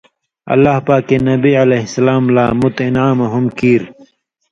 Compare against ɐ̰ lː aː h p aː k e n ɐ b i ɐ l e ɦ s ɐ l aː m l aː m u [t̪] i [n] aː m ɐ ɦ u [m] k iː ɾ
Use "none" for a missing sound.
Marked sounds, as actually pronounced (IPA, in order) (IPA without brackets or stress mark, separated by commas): t̪, n, m